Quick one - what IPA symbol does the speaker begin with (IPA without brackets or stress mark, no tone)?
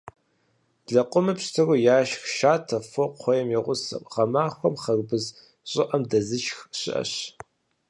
ɮ